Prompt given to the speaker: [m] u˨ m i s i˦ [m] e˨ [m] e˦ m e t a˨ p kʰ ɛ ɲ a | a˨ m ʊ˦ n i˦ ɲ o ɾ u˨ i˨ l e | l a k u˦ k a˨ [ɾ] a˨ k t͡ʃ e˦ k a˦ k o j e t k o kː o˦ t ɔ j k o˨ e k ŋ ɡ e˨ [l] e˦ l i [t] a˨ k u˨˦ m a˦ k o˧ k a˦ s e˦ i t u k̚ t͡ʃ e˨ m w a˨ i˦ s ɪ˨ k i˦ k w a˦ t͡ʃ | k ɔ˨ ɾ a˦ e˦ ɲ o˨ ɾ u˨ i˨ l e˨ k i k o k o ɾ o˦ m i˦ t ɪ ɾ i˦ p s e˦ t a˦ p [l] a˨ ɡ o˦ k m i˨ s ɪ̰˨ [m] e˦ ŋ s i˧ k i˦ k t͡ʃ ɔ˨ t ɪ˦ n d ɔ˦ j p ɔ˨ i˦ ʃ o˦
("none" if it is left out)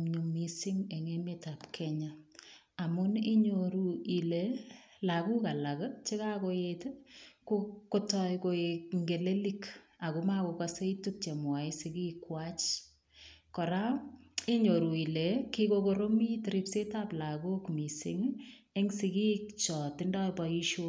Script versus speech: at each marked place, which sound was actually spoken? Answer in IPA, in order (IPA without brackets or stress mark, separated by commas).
ɲ, ŋ, ŋ, l, l, k, l, ŋ